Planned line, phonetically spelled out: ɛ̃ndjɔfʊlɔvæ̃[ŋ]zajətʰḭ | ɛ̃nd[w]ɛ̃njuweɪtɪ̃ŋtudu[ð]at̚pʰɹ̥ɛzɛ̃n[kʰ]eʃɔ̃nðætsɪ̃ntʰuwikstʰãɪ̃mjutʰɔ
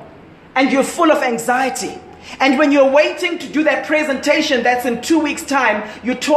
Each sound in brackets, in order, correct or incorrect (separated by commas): correct, correct, correct, incorrect